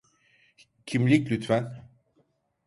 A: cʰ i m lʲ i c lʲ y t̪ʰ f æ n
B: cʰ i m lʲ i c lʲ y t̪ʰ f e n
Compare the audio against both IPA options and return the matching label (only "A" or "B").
A